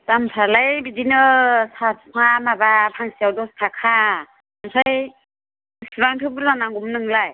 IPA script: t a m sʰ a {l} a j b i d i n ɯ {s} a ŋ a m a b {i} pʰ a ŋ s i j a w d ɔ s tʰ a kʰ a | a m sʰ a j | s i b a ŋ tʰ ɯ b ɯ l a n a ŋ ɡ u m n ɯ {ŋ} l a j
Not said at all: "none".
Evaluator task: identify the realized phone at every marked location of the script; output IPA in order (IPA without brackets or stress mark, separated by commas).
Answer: l, s, a, ŋ